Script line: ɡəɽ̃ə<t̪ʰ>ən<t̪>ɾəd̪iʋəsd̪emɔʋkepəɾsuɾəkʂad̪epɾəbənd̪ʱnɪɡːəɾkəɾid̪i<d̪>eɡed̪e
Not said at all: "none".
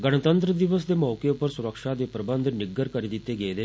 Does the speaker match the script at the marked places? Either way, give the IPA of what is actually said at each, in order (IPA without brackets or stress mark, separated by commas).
t̪, t̪, t̪